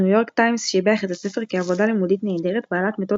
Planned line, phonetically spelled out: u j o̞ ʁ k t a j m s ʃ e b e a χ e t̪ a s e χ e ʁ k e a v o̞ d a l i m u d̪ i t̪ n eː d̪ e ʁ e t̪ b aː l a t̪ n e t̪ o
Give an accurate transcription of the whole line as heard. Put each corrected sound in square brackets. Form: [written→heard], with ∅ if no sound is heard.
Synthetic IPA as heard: u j o̞ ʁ k t a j m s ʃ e b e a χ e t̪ a s e [χ→f] e ʁ k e a v o̞ d a l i m u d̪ i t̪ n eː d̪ e ʁ e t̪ b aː l a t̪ [n→m] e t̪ o